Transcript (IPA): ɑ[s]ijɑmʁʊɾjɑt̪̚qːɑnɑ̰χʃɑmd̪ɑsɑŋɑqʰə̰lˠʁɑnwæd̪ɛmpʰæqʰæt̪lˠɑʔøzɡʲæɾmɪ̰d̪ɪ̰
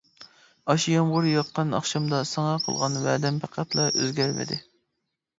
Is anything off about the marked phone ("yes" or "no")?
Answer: yes